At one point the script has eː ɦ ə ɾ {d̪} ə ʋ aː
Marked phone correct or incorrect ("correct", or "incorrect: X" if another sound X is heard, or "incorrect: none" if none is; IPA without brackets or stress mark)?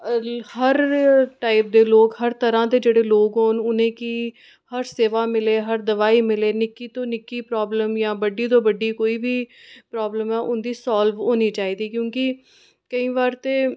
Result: correct